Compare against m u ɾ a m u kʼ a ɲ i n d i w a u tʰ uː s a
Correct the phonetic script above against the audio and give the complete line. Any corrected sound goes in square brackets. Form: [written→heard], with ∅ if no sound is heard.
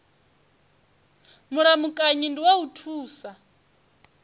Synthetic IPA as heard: m u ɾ a m u kʼ a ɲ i n d i w a u tʰ uː s a